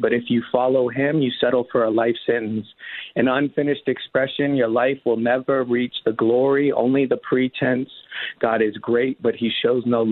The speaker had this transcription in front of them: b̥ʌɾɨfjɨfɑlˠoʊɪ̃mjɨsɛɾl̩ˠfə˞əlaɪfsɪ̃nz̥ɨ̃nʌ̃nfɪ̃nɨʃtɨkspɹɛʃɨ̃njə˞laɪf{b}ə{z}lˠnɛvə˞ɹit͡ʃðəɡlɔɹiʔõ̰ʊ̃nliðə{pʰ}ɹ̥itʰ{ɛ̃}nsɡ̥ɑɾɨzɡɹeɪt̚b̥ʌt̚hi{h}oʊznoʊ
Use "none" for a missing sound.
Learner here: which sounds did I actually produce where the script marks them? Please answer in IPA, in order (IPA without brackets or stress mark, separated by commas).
w, none, pʰ, ɛ̃, ʃ